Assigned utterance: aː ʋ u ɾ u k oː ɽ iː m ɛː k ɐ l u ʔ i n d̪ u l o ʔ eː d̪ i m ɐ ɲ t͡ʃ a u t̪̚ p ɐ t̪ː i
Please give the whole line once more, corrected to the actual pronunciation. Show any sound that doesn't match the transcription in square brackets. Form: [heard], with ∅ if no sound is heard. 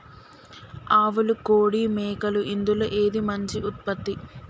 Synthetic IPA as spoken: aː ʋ u [l] u k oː ɽ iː m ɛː k ɐ l u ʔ i n d̪ u l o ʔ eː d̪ i m ɐ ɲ t͡ʃ [i] u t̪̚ p ɐ t̪ː i